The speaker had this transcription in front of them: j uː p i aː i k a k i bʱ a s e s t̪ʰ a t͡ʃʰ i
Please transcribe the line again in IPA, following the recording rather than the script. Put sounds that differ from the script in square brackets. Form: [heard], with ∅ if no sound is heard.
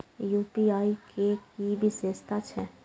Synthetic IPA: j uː p i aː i k [e] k i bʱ [i] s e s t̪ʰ a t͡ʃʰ [ɛ]